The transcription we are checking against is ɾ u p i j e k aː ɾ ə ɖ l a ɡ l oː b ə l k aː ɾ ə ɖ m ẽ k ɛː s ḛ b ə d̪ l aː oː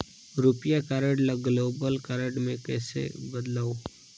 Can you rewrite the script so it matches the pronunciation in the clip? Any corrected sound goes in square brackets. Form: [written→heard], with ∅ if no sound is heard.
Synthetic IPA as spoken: ɾ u p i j [e→a] k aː ɾ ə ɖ l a ɡ l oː b ə l k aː ɾ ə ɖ m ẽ k ɛː s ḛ b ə d̪ l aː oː